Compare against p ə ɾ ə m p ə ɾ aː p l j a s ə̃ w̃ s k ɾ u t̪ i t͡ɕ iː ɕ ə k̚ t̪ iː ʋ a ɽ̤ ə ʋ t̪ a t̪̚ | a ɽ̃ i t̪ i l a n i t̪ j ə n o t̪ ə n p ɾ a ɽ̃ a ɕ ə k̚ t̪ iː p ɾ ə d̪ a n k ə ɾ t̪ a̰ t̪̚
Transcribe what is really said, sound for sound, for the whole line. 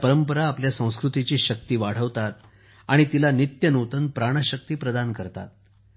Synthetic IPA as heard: p ə ɾ ə m p ə ɾ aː p l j a s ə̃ w̃ s k ɾ u t̪ i t͡ɕ iː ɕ ə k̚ t̪ iː ʋ a ɽ̤ ə ʋ t̪ a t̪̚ | a ɽ̃ i t̪ i l a n i t̪ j ə n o t̪ ə n p ɾ a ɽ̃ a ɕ ə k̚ t̪ iː p ɾ ə d̪ a n k ə ɾ t̪ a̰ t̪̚